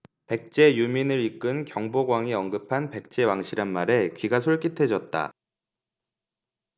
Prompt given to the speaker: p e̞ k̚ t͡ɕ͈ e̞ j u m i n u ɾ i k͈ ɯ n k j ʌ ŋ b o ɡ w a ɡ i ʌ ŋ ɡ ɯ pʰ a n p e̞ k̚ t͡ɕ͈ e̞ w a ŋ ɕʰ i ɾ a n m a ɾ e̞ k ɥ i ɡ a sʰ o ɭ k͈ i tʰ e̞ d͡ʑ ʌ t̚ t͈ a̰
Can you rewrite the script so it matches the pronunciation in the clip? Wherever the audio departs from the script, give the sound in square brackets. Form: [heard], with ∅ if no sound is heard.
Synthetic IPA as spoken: p e̞ k̚ t͡ɕ͈ e̞ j u m i n [ɯ] ɾ i k͈ ɯ n k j ʌ ŋ b o ɡ w a [ŋ] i ʌ ŋ ɡ ɯ pʰ a n p e̞ k̚ t͡ɕ͈ e̞ w a ŋ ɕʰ i ɾ a n m a ɾ e̞ k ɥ i ɡ a sʰ o ɭ k͈ i tʰ e̞ d͡ʑ ʌ t̚ t͈ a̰